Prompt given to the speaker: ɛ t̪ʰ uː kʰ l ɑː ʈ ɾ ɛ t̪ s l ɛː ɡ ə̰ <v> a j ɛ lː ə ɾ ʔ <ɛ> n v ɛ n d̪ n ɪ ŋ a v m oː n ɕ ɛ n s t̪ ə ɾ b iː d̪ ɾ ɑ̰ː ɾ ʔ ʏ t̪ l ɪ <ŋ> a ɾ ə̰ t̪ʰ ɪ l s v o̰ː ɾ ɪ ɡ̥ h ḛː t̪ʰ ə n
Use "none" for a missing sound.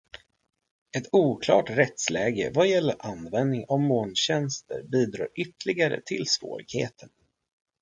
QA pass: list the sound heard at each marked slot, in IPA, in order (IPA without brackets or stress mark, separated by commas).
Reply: v, a, ɡ